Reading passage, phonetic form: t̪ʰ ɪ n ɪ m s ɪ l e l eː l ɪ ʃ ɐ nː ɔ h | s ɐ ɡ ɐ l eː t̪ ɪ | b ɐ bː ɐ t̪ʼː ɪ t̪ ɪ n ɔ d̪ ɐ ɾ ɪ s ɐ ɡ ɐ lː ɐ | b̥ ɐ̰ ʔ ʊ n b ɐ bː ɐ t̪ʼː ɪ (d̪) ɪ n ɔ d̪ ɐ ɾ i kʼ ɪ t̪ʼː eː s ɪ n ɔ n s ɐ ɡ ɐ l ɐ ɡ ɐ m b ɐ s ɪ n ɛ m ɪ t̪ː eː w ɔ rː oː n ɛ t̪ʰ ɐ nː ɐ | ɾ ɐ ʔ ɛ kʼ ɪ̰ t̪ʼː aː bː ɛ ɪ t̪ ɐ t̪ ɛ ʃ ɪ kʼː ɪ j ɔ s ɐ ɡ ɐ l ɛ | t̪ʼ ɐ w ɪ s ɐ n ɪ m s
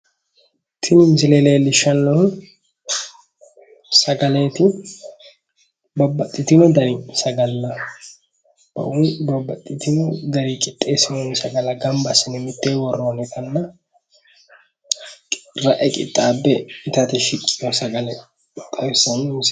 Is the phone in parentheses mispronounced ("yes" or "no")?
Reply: yes